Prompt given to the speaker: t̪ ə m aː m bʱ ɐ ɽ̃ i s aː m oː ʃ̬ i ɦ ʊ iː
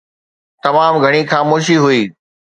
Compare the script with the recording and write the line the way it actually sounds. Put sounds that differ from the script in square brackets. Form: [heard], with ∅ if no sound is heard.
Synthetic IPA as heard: t̪ [ɐ] m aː m [ɡʱ] ɐ ɽ̃ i [x] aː m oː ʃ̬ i ɦ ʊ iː